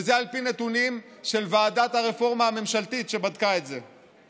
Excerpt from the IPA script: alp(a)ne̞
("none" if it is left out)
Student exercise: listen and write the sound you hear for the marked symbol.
i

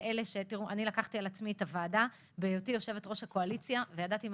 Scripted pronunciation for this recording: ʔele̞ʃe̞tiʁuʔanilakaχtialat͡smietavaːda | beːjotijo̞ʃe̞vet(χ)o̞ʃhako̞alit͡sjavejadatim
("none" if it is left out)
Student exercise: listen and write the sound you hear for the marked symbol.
ʁ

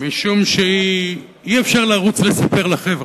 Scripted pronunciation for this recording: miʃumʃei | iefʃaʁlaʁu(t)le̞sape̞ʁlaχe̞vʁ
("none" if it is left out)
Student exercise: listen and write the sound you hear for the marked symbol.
t͡s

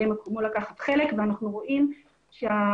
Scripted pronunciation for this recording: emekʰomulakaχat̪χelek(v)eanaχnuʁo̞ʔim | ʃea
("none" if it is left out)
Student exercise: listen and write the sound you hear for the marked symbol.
v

